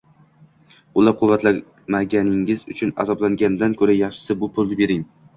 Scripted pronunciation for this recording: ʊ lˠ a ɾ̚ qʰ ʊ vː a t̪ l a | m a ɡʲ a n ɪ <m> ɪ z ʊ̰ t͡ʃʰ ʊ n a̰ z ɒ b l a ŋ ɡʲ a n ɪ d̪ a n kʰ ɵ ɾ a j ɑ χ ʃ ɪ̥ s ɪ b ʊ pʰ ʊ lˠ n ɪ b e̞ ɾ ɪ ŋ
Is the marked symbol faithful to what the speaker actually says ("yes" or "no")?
no